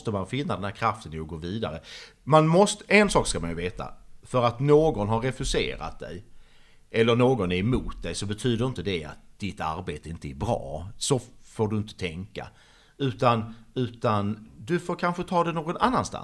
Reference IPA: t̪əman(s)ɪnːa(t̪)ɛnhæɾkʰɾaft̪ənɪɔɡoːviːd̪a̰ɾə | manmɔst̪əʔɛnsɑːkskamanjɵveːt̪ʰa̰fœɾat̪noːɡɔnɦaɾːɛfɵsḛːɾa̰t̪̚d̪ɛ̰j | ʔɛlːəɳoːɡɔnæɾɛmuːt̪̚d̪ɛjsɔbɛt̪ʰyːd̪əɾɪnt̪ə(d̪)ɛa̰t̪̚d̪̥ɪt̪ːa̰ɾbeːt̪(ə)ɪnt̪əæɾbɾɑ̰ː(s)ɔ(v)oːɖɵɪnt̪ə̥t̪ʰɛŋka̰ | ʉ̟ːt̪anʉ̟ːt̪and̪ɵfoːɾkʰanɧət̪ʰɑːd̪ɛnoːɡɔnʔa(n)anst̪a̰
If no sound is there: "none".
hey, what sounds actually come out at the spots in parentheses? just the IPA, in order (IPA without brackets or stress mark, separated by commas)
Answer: f, d̪, d̪, ə, s, f, nː